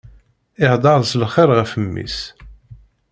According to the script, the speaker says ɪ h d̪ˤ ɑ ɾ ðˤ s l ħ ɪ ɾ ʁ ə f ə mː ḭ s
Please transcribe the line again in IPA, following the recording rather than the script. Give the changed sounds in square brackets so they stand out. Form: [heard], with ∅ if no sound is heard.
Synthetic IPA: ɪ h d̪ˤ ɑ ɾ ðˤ s l [χ] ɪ ɾ ʁ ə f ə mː ḭ s